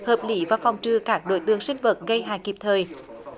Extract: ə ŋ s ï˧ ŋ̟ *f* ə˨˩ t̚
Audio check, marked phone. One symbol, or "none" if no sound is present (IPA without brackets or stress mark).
v